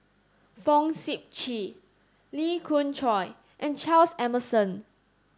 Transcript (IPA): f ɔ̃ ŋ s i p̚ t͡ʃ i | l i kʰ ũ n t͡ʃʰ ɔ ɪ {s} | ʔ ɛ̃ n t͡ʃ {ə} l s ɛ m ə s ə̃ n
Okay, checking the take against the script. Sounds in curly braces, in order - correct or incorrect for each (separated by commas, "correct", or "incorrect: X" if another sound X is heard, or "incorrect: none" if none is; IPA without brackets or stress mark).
incorrect: none, incorrect: a